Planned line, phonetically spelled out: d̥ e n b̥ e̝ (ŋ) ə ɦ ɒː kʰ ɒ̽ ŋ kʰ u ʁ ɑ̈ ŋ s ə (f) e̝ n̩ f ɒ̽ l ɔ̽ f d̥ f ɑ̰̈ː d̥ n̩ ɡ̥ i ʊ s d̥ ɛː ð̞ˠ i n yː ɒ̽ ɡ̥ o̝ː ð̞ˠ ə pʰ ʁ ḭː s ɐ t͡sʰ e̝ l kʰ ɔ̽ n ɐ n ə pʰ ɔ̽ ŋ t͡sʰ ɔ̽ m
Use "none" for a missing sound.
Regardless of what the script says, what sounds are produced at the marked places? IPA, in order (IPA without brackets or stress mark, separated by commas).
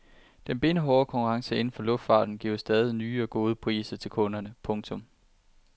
n, none